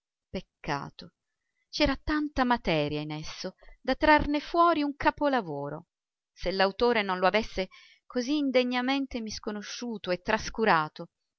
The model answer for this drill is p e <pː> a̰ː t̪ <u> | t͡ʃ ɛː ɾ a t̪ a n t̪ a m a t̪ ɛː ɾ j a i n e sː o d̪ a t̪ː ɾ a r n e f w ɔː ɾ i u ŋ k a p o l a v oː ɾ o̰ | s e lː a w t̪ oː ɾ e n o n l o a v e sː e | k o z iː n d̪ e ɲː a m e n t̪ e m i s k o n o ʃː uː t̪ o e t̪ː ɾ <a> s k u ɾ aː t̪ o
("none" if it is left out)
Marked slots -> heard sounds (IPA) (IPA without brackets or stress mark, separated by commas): kː, o, a